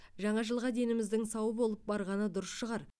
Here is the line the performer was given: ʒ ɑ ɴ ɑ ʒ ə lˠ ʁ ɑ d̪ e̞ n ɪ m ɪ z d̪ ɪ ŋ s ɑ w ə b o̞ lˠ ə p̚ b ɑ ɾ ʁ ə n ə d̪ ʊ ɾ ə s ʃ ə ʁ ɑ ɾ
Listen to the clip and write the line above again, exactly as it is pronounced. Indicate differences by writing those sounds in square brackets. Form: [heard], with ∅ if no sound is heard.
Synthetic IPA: ʒ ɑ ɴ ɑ ʒ ə lˠ ʁ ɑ d̪ e̞ n ɪ m ɪ z d̪ ɪ ŋ s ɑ w ə b o̞ lˠ ə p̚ b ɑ ɾ ʁ [ɑ] n ə d̪ ʊ ɾ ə s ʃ ə ʁ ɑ ɾ